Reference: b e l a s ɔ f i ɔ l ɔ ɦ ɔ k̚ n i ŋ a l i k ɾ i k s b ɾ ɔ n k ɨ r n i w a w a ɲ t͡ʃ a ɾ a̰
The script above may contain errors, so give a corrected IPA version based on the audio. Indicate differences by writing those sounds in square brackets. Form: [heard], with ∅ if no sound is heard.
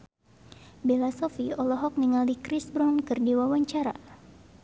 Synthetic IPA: b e l a s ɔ f i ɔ l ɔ ɦ ɔ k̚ n i ŋ a l i k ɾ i [∅] s b ɾ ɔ n k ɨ r [d] i w a w a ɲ t͡ʃ a ɾ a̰